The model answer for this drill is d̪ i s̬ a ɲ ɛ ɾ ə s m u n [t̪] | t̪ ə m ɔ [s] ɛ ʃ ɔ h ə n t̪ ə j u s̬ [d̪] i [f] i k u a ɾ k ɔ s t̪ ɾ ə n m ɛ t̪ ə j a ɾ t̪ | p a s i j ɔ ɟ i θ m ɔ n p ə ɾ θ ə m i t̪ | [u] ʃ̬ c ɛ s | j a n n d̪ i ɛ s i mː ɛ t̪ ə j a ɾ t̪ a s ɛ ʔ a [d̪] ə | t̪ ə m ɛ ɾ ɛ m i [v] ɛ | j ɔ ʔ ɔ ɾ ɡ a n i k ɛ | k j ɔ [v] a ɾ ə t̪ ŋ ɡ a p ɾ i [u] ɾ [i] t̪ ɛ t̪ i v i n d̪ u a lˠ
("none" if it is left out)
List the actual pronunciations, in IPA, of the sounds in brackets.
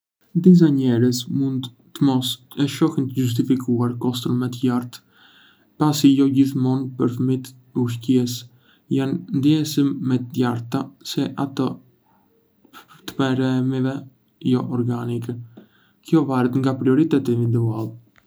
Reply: d̪, s, t̪, f, u, t̪, v, v, ɔ, i

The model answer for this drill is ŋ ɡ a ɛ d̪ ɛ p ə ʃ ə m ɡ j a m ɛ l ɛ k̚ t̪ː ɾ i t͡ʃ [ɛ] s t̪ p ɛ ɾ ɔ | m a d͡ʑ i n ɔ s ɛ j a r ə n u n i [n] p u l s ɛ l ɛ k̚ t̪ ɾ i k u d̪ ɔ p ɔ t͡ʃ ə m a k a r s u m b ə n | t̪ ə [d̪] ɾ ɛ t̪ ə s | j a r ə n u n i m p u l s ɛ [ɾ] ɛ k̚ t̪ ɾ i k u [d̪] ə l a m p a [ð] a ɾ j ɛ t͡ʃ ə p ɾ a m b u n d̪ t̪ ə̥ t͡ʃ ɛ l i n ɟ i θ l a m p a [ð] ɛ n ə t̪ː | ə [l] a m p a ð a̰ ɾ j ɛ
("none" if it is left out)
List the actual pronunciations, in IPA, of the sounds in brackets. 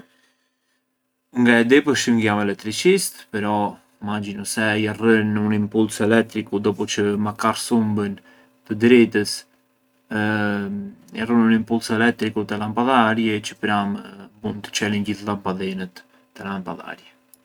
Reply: i, m, d̪, l, t̪, ð, ð, l

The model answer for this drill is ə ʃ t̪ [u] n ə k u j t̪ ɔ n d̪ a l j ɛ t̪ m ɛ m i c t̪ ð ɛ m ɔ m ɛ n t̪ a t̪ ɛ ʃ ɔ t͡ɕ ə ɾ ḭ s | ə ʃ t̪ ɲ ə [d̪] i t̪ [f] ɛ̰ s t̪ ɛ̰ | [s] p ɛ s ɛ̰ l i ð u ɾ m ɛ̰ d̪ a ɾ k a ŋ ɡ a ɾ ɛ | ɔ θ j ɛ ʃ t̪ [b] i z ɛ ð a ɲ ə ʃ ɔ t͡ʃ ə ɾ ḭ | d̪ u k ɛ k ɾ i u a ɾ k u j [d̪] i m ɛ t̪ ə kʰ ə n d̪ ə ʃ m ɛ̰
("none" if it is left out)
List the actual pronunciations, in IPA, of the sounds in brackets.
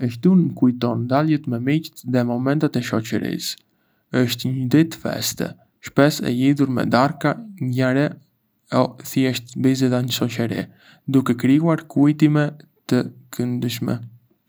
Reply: u, d̪, f, ʃ, b, t̪

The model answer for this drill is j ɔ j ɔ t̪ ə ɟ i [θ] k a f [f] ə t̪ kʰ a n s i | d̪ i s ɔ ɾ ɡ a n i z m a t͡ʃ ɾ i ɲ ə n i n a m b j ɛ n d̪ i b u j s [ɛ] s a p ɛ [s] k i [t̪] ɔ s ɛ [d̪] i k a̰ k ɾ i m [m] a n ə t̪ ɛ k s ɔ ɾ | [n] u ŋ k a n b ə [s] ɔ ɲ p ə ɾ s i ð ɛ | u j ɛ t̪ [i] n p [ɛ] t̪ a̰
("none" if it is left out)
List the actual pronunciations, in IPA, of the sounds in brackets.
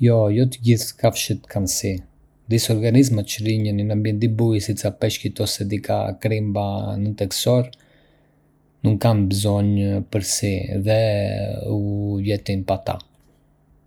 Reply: θ, ʃ, i, ʃ, t̪, d̪, b, n, z, i, a

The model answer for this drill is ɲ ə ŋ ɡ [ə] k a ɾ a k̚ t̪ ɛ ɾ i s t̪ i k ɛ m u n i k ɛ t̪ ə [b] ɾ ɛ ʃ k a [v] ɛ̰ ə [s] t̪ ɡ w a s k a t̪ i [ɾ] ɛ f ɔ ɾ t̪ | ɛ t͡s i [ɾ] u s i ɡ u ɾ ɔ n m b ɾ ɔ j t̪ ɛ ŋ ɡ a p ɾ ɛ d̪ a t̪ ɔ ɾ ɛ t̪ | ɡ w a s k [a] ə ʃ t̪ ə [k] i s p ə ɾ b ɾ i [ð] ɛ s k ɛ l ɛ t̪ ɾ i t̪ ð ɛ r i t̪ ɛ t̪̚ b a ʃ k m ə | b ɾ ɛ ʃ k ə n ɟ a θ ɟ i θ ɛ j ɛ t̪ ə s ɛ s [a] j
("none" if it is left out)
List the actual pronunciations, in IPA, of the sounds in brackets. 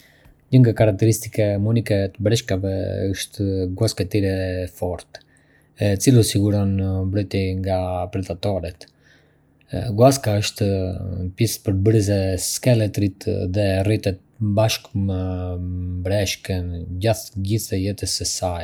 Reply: a, b, v, ʃ, ɾ, l, a, p, z, a

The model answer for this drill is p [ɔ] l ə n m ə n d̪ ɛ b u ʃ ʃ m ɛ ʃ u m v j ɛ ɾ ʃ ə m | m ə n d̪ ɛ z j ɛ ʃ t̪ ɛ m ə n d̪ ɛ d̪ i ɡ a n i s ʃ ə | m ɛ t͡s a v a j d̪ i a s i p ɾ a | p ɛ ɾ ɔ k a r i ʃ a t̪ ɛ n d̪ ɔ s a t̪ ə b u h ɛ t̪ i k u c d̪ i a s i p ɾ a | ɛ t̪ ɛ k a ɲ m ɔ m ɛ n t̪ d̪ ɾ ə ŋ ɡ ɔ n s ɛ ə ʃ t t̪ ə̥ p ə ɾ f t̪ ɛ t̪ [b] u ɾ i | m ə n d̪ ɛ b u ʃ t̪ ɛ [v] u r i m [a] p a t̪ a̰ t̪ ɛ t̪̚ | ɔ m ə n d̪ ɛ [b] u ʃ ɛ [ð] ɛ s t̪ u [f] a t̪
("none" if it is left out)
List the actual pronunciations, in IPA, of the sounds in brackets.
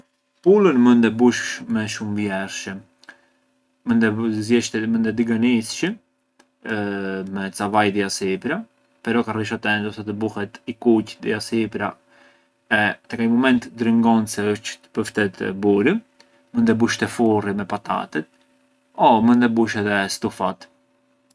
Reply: u, b, f, ɛ, b, ð, f

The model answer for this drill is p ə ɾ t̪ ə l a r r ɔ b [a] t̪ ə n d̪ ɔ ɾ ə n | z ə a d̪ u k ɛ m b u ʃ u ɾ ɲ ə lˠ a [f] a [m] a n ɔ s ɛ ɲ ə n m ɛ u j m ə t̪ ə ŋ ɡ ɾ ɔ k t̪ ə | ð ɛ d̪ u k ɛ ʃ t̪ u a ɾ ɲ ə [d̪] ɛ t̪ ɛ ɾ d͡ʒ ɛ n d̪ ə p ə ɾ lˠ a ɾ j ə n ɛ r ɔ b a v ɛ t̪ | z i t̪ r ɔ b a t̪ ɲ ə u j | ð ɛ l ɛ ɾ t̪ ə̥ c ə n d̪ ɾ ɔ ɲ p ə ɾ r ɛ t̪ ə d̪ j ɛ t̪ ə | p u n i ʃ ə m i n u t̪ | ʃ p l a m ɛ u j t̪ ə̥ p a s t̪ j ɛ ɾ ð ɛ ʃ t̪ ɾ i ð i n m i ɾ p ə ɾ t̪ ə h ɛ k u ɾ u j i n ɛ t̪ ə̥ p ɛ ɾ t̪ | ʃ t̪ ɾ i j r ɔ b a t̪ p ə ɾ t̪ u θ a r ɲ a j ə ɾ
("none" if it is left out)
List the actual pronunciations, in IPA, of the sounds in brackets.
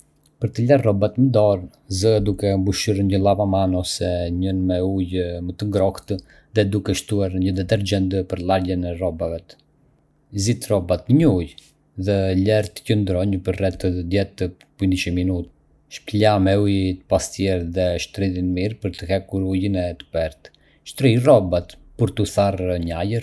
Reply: a, v, m, d̪

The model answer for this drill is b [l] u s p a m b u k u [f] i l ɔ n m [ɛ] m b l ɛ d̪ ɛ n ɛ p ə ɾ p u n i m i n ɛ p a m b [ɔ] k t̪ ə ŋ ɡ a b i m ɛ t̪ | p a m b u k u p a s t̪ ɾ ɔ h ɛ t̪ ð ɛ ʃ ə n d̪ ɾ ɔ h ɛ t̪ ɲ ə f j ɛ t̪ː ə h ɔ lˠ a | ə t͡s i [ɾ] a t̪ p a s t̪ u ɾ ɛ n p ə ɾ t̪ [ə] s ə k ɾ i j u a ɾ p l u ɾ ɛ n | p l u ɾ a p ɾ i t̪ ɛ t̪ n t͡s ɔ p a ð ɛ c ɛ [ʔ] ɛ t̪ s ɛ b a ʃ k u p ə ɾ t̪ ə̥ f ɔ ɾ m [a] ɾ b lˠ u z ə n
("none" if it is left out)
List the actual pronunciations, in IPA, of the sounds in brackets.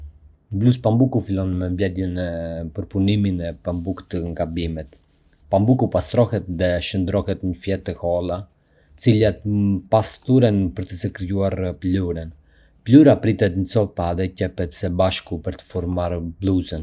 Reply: l, f, ɛ, u, l, ə, p, a

